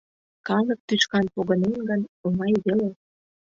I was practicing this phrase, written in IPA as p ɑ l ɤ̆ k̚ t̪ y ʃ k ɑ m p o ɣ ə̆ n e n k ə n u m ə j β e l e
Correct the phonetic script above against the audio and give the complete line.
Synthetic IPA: k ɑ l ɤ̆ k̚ t̪ y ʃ k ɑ n p o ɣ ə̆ n e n ɡ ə n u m ɑ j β e l e